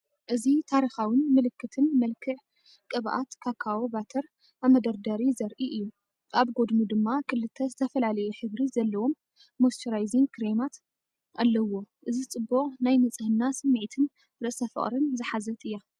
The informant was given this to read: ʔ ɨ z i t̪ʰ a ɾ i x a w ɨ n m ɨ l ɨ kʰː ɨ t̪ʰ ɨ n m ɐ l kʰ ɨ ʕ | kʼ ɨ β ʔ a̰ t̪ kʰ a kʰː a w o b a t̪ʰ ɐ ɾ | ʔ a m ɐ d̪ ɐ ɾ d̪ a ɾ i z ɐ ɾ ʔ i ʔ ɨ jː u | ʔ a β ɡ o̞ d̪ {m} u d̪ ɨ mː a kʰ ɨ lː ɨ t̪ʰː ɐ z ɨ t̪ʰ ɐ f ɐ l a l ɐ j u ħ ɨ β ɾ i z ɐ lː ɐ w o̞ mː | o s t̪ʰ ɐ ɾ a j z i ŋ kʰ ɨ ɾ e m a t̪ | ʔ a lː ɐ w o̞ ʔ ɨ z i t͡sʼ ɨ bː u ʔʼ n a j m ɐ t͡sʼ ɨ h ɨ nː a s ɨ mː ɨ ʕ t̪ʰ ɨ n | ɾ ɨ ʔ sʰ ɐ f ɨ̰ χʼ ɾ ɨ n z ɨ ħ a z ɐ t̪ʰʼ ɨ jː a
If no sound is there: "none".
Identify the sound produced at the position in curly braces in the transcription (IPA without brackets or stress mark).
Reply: m